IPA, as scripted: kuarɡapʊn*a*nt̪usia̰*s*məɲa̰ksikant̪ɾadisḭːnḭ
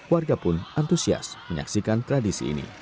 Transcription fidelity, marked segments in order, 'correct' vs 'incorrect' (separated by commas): correct, correct